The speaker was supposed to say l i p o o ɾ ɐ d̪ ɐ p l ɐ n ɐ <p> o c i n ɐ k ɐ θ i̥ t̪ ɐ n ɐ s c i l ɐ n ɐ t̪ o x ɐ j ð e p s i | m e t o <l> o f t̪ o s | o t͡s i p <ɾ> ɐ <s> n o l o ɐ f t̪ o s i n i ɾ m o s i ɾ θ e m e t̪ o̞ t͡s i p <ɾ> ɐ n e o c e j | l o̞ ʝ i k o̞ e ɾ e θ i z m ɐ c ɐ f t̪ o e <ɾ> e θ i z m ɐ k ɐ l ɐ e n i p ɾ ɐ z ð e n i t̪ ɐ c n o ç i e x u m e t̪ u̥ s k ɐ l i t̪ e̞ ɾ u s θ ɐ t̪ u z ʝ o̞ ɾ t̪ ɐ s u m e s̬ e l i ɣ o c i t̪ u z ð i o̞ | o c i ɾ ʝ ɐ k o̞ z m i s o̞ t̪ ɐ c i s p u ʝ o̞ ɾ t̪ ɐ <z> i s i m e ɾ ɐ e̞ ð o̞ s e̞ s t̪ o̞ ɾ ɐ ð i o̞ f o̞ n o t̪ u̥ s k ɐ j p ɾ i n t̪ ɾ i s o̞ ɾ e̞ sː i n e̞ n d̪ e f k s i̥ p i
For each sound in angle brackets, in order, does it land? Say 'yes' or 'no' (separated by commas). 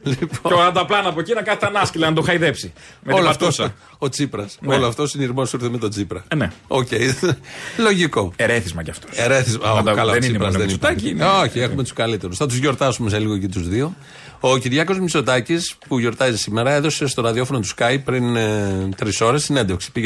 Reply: yes, yes, yes, yes, yes, yes, yes